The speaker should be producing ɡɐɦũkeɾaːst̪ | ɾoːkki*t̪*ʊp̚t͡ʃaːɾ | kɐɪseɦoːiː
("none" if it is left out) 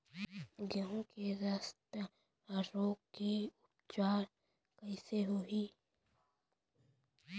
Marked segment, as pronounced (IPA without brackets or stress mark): none